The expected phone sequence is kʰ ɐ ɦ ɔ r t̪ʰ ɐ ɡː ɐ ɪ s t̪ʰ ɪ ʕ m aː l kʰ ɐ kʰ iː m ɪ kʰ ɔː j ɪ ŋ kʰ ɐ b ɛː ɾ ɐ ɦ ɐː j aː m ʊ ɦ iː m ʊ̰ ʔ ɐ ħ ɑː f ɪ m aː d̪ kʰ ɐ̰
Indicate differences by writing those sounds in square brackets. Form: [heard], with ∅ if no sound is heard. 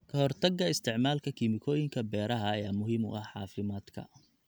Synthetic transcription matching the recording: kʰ ɐ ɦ ɔ r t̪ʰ ɐ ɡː ɐ ɪ s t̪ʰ ɪ ʕ m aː l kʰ ɐ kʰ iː m ɪ kʰ ɔː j ɪ ŋ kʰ ɐ b ɛː ɾ ɐ ɦ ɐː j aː m ʊ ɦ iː m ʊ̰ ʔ ɐ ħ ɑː f ɪ m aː d̪ kʰ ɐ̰